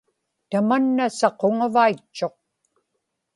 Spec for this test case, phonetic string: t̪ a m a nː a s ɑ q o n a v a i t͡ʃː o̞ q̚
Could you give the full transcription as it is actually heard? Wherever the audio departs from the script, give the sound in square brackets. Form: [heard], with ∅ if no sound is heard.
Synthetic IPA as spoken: t̪ a m a nː a s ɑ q o [ŋ] a v a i t͡ʃː o̞ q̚